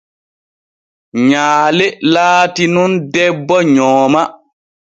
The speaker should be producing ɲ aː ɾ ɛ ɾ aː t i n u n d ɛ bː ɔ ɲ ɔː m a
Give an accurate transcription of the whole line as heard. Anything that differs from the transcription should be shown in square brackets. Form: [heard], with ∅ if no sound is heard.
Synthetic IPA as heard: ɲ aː [l] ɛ [l] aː t i n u n d ɛ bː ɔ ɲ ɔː m a